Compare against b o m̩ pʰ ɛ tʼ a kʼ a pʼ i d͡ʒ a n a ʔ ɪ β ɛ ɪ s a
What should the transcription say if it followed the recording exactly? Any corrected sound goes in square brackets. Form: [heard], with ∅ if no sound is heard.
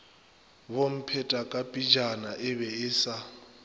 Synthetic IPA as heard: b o m̩ pʰ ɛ tʼ a kʼ a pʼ i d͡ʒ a n a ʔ ɪ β ɛ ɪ s a